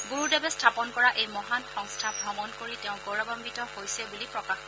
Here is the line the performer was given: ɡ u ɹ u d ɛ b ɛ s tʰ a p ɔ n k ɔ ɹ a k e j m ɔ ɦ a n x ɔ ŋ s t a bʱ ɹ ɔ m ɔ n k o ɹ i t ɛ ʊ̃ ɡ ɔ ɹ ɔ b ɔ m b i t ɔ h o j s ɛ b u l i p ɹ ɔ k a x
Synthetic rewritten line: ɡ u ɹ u d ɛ b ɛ s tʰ a p ɔ n k ɔ ɹ a ʔ e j m ɔ ɦ a n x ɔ ŋ s tʰ a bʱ ɹ ɔ m ɔ n k o ɹ i t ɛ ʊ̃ ɡ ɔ ɹ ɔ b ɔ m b i t ɔ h o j s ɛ b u l i p ɹ ɔ k a x

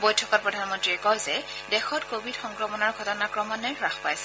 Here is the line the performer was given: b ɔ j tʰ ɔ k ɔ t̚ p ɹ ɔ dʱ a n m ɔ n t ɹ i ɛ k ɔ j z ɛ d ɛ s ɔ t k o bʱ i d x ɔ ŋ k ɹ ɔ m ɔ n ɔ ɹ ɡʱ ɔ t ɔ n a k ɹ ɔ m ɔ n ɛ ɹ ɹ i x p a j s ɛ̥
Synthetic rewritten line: b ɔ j tʰ ɔ k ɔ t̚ p ɹ ɔ dʱ a n m ɔ n t ɹ i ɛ k ɔ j z ɛ d ɛ x ɔ t k o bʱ i d x ɔ ŋ k ɹ ɔ m ɔ n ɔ ɹ ɡʱ ɔ t ɔ n a k ɹ ɔ m ɔ n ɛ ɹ ɹ a x p a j s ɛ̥

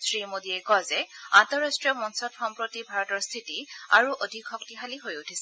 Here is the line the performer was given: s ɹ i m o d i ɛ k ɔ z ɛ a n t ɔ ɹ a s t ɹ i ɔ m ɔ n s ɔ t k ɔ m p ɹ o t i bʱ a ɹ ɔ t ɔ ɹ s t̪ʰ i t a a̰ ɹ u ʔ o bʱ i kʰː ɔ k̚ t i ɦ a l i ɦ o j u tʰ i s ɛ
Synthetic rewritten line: s ɹ i m o d i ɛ k ɔ z ɛ a n t ɔ ɹ a s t ɹ i ɔ m ɔ n s ɔ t x ɔ m p ɹ o t i bʱ a ɹ ɔ t ɔ ɹ s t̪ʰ i t i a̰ ɹ u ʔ o dʱ i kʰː ɔ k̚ t i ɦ a l i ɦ o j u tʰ i s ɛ

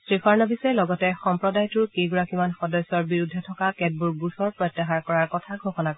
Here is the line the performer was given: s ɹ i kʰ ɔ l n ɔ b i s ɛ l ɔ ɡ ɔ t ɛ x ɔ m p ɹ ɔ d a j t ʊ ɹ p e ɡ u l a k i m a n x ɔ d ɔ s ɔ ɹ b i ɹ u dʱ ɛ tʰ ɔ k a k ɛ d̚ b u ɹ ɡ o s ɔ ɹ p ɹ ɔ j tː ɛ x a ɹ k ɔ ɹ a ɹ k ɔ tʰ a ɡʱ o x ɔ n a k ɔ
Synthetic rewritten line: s ɹ i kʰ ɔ ɹ n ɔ b i s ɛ l ɔ ɡ ɔ t ɛ x ɔ m p ɹ ɔ d a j t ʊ ɹ k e ɡ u ɹ a k i m a n x ɔ d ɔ s ɔ ɹ b i ɹ u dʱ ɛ tʰ ɔ k a k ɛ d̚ b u ɹ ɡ u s ɔ ɹ p ɹ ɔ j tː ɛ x a ɹ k ɔ ɹ a ɹ k ɔ tʰ a ɡʱ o x ɔ n a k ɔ

